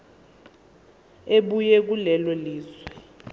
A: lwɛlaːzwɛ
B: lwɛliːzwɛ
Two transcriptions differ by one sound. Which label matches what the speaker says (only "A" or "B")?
B